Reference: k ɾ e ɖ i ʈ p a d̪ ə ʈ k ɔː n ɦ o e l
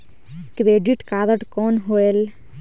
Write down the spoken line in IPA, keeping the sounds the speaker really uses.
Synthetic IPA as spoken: k ɾ e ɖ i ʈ k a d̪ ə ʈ k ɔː n ɦ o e l